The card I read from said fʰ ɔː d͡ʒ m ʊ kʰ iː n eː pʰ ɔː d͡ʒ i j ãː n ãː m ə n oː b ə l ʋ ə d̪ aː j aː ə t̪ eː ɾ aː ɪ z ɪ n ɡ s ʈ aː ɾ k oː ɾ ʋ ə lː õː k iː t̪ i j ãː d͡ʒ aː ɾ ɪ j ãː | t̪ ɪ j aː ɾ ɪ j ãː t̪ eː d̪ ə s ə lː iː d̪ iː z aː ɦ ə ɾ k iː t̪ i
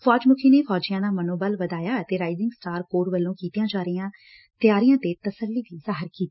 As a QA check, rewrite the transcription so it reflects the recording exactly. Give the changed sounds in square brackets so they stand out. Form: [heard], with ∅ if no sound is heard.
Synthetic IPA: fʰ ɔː d͡ʒ m ʊ kʰ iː n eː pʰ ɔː d͡ʒ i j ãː n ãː m ə n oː b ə l ʋ ə d̪ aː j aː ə t̪ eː ɾ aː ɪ z ɪ [ŋ] ɡ s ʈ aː ɾ k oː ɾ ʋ ə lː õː k iː t̪ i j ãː d͡ʒ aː ɾ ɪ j ãː | t̪ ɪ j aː ɾ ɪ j ãː t̪ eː [t̪] ə s ə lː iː d̪ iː z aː ɦ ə ɾ k iː t̪ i